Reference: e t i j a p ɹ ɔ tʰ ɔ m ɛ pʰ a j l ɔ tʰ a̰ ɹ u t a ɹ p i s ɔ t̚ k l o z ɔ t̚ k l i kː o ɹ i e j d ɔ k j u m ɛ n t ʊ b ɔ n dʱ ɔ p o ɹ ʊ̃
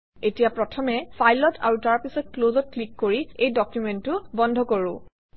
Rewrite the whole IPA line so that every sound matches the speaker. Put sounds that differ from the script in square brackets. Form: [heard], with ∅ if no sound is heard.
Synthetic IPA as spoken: e t i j a p ɹ ɔ tʰ ɔ m ɛ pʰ a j l ɔ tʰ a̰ ɹ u t a ɹ p i s ɔ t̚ k l o z ɔ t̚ k l i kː o ɹ i e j d ɔ k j u m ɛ n t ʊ b ɔ n dʱ ɔ [k] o ɹ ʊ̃

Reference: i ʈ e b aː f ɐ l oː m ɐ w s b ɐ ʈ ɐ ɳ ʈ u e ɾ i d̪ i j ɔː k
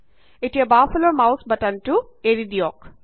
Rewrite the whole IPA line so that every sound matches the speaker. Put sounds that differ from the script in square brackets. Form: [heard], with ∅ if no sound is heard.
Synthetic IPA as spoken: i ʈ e b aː f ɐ l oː m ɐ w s b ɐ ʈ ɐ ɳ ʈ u e ɾ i d̪ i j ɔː k

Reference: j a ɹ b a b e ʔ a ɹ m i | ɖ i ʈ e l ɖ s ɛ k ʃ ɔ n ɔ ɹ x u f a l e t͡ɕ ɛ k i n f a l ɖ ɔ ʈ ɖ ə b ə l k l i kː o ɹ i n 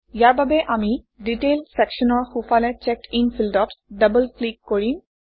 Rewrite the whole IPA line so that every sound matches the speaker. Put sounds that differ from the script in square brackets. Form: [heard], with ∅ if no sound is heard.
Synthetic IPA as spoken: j a ɹ b a b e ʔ a [∅] m i | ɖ i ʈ e l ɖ s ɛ k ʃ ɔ n ɔ ɹ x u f a l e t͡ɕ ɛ k i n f [i] l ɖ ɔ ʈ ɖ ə b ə l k l i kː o ɹ i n

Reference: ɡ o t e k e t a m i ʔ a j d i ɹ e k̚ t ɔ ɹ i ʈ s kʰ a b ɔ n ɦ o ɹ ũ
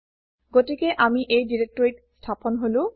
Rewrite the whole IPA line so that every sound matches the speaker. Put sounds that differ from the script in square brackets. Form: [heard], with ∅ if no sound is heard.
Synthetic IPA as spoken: ɡ o t [i] k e [ʔ] a m i ʔ [e] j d i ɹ e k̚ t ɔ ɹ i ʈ s [tʰ] a [p] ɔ n ɦ o [l] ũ

